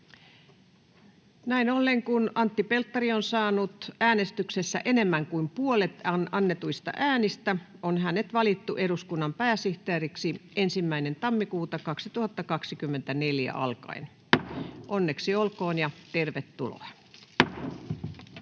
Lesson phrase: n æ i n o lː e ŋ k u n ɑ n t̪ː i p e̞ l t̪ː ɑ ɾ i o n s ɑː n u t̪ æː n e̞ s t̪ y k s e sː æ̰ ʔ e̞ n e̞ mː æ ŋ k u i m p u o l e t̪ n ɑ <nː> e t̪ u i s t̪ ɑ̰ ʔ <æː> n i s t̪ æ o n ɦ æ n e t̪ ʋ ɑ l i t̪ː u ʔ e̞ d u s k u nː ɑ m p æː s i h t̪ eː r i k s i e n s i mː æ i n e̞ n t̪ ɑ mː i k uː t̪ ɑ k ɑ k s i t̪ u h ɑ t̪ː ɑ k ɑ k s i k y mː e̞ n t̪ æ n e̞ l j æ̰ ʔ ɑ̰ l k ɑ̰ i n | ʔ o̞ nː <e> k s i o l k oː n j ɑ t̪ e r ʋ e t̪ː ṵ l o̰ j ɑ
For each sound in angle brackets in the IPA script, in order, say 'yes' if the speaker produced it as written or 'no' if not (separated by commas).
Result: yes, yes, yes